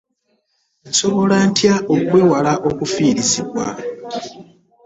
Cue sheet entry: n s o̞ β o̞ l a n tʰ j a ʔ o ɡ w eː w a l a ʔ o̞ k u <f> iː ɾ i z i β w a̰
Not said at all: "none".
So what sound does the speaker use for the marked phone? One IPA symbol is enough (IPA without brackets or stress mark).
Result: f